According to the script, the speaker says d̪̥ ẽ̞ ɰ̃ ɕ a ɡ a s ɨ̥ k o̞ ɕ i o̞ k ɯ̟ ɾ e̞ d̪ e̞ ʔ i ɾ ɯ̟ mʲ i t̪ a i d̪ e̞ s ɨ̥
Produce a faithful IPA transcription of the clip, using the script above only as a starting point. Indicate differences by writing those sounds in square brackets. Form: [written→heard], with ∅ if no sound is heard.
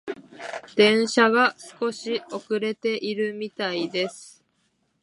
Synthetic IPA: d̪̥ ẽ̞ ɰ̃ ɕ a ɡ a s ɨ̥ k o̞ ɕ i o̞ k ɯ̟ ɾ e̞ [d̪→t̪] e̞ ʔ i ɾ ɯ̟ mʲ i t̪ a i d̪ e̞ s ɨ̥